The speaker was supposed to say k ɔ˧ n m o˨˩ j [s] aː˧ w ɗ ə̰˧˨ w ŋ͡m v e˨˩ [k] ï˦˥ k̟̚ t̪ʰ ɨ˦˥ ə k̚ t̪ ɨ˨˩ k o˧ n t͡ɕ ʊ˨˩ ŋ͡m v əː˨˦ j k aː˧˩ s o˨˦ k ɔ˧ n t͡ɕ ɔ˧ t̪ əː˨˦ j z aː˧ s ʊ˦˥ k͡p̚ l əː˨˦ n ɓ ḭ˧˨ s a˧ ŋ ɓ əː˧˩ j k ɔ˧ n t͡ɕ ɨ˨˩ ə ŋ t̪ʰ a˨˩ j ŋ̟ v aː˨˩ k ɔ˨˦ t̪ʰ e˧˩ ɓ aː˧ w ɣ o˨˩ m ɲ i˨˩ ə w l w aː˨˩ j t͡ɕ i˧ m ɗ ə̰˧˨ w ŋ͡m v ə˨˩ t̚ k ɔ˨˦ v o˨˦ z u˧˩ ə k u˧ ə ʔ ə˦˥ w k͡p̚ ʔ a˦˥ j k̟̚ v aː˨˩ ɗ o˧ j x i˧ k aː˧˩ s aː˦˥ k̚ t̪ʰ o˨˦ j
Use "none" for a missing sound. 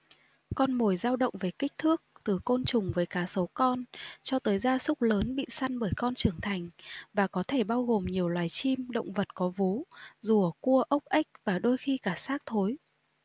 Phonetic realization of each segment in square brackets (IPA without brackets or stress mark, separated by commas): z, k